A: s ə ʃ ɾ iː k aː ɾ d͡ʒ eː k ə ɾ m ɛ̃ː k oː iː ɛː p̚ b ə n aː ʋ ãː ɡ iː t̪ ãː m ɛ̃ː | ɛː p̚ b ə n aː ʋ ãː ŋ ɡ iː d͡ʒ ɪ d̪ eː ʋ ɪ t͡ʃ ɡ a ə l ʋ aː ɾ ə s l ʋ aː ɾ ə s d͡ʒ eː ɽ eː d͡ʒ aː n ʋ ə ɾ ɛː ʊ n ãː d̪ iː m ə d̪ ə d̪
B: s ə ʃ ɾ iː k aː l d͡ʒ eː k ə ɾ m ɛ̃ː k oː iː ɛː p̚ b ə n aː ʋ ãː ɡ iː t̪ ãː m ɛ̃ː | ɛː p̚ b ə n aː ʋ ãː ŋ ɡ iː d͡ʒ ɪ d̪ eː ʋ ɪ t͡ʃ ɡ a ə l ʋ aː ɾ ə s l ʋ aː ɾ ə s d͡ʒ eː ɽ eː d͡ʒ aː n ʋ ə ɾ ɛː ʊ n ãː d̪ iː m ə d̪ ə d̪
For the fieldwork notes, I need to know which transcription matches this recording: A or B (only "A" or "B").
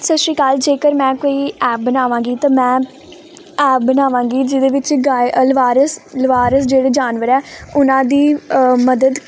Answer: B